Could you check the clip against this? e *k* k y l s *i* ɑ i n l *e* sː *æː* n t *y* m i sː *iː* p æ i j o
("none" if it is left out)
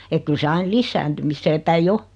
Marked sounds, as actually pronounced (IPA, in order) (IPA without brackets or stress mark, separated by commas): k, e, i, æː, y, eː